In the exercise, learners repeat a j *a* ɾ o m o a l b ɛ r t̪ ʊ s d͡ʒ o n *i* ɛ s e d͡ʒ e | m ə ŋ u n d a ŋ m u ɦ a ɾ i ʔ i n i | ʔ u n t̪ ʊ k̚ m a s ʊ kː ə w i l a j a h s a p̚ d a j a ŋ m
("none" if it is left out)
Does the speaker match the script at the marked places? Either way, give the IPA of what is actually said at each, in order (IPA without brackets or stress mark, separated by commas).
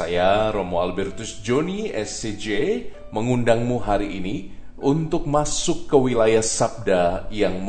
a, i